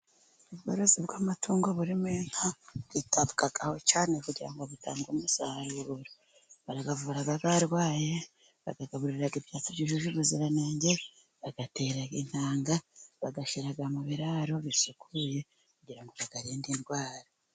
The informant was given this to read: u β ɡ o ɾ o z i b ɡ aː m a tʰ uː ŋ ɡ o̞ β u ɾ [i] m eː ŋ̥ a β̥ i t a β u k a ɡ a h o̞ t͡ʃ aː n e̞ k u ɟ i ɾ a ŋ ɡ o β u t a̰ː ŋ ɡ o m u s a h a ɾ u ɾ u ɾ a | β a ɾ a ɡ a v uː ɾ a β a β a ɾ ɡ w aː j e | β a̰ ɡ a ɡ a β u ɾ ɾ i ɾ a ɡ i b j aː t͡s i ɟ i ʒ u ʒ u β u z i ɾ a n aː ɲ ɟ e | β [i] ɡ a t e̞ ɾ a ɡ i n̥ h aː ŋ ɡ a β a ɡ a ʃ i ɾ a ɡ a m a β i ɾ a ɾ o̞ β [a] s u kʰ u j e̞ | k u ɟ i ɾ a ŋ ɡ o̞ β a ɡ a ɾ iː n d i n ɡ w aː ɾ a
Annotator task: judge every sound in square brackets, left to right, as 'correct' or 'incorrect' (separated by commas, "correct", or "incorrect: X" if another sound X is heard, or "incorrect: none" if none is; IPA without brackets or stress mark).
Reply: correct, incorrect: a, incorrect: i